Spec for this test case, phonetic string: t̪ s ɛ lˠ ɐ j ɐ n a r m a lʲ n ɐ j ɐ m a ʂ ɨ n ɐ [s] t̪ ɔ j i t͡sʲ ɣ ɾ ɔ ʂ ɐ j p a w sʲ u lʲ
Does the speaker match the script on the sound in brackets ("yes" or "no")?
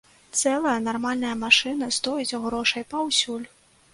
yes